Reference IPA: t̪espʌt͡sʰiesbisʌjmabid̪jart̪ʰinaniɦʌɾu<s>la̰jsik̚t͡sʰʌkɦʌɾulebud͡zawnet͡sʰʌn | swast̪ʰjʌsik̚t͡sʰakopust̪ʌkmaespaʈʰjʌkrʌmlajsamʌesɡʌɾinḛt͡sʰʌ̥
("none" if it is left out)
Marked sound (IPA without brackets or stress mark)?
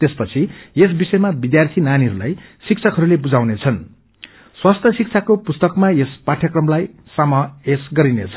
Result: none